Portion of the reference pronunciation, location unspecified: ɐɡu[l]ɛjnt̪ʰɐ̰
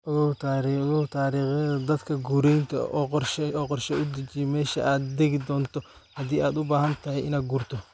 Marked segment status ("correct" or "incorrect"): incorrect